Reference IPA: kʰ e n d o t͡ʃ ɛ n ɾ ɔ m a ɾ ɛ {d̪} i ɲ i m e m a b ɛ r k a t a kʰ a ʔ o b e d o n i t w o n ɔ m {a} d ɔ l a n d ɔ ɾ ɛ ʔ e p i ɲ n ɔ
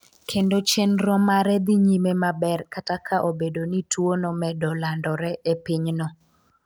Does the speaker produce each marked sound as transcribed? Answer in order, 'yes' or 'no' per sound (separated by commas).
yes, no